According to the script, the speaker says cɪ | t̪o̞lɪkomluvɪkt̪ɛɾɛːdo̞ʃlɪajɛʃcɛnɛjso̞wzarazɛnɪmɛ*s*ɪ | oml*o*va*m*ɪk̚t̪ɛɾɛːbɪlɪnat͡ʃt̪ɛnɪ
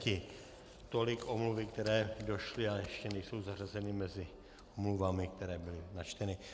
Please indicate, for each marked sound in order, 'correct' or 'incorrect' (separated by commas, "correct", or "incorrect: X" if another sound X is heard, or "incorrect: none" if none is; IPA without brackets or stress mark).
incorrect: z, incorrect: u, correct